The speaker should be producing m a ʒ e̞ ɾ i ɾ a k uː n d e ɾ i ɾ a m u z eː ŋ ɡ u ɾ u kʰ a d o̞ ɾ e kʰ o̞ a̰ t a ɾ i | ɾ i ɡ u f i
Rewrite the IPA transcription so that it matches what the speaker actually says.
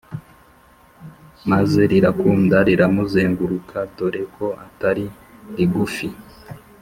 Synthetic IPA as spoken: m a z e̞ ɾ i ɾ a k uː n d a ɾ i ɾ a m u z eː ŋ ɡ u ɾ u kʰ a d o̞ ɾ e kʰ o̞ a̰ t a ɾ i | ɾ i ɡ u f i